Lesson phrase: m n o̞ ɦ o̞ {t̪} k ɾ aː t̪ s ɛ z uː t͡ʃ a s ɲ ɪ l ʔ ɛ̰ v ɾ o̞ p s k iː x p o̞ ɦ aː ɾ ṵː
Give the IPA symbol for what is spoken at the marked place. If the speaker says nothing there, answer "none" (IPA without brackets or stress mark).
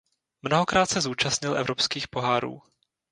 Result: none